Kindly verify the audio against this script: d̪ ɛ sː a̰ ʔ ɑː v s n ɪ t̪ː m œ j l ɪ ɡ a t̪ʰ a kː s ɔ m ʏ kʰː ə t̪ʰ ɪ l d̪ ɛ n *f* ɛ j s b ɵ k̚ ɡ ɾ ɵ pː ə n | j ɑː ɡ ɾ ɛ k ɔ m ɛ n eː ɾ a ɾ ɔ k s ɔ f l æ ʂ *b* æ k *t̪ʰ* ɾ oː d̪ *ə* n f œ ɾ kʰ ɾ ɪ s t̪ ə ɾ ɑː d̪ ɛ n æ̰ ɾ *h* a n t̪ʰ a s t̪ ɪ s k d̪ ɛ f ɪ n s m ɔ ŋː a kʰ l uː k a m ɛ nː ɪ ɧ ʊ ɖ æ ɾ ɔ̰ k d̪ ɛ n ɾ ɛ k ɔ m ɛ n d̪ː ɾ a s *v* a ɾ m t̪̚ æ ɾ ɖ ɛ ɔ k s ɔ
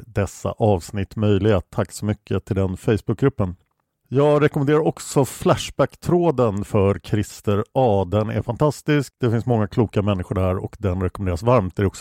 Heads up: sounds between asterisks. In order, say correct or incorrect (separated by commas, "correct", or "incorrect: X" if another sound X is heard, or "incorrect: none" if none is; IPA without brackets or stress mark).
correct, correct, correct, correct, incorrect: f, correct